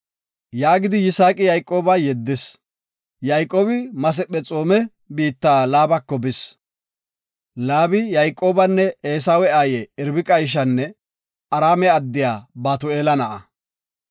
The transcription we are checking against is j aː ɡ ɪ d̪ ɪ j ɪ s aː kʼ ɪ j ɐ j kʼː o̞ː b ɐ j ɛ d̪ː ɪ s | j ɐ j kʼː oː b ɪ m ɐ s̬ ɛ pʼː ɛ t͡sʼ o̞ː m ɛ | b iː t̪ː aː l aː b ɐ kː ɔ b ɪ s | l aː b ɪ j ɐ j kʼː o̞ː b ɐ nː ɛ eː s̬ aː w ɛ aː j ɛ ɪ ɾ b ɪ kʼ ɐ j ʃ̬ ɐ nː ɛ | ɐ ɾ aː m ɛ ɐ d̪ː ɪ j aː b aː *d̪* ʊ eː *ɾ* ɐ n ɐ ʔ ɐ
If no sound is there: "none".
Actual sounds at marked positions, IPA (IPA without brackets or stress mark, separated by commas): t̪, l